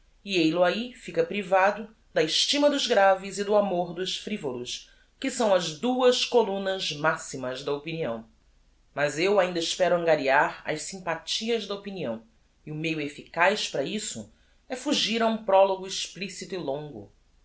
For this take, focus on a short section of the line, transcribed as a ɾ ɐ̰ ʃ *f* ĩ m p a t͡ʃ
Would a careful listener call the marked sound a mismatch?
yes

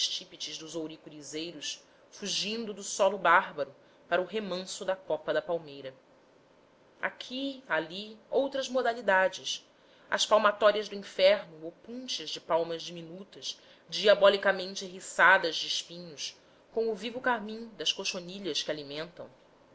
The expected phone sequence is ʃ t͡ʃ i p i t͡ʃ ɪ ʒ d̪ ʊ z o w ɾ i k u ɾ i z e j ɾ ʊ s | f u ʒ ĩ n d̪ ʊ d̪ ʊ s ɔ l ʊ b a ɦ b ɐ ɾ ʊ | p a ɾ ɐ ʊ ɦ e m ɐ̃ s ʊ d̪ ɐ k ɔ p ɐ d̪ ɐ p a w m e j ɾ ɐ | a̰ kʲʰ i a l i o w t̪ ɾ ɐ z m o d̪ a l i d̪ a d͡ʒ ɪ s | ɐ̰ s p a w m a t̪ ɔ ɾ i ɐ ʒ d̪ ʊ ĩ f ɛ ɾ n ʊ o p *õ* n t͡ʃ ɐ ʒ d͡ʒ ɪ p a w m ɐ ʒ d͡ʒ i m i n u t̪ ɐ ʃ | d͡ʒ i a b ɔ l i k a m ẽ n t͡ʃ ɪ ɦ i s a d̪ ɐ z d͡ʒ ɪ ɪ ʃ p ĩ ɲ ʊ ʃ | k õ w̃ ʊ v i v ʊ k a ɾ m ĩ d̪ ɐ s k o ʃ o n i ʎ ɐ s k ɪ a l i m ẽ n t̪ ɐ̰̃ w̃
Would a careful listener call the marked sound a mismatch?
yes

